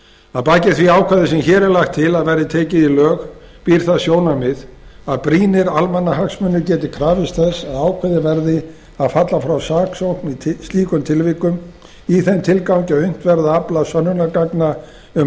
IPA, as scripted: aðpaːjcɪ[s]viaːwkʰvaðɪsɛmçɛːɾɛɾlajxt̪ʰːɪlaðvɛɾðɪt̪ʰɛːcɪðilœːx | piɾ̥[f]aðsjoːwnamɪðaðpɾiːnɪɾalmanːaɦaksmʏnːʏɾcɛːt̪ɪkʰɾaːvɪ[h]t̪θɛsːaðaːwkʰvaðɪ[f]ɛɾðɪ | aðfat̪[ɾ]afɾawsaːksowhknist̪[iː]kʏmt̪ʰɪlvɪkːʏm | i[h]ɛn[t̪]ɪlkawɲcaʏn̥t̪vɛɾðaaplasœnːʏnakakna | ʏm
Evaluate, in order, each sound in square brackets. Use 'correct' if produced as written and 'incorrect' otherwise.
incorrect, incorrect, incorrect, incorrect, incorrect, correct, incorrect, incorrect

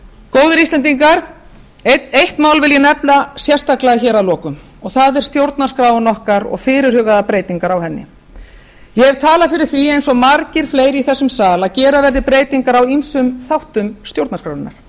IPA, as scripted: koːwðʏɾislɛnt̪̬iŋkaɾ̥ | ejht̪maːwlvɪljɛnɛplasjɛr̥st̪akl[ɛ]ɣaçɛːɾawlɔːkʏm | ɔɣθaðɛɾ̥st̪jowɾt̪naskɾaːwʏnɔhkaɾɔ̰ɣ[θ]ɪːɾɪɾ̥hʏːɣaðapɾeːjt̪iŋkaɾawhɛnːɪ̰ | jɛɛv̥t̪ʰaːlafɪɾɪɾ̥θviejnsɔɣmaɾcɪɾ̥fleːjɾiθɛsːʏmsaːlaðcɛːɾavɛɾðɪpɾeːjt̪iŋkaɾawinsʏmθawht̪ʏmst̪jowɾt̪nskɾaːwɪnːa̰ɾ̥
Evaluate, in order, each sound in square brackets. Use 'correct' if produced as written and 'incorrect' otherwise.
incorrect, incorrect

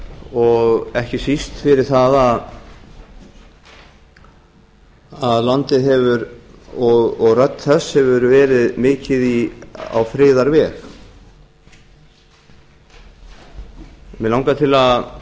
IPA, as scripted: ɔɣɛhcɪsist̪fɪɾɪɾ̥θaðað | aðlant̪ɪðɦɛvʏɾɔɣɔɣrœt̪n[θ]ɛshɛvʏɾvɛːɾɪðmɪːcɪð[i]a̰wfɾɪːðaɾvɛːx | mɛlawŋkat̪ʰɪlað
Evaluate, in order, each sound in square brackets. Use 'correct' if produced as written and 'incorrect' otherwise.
correct, correct

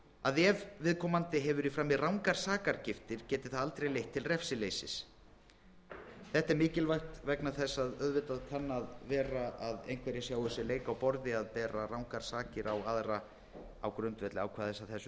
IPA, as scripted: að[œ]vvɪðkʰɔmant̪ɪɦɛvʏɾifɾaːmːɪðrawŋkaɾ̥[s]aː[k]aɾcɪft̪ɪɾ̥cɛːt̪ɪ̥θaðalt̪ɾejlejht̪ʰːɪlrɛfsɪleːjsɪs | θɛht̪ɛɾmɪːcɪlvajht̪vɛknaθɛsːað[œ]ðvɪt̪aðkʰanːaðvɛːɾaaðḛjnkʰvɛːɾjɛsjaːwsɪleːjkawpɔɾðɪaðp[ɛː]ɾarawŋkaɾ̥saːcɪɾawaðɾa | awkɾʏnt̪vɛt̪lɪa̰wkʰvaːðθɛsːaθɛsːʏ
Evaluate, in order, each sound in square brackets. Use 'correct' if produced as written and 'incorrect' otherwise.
incorrect, correct, correct, correct, correct

